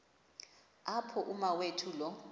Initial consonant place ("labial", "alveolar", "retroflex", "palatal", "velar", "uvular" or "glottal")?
labial